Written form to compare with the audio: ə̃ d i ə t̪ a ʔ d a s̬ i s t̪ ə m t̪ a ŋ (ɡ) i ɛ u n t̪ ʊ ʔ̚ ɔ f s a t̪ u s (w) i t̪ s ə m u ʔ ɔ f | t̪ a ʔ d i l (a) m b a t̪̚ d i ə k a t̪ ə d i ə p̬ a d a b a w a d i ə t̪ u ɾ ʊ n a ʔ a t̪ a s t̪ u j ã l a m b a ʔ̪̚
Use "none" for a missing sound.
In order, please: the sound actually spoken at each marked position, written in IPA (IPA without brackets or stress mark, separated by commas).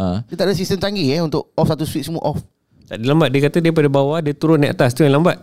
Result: ɡ, w, a